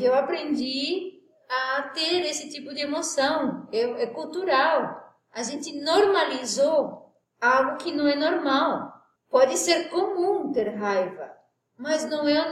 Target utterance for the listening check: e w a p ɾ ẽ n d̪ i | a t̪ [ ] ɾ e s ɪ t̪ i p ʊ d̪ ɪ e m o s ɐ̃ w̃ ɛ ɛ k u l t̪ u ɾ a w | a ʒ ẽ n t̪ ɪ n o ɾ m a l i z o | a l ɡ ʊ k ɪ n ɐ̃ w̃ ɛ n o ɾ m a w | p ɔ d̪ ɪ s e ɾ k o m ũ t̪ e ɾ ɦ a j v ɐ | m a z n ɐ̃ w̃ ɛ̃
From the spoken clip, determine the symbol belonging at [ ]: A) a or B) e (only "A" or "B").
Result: B